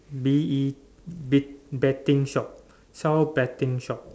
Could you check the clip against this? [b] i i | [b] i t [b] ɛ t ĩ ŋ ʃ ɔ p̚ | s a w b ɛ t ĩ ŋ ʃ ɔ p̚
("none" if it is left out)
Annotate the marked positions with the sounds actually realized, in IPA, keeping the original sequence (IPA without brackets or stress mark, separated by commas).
b, b, b